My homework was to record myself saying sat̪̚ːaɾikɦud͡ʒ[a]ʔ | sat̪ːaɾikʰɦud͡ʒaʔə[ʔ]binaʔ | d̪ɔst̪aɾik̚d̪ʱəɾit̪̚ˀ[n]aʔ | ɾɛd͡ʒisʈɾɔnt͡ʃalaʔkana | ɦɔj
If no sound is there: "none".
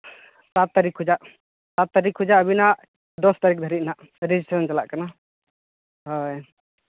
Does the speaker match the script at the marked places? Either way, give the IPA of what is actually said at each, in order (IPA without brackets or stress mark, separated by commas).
a, none, n